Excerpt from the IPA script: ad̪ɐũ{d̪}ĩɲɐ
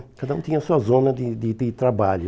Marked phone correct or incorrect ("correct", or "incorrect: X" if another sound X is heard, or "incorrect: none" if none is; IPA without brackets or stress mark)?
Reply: incorrect: t̪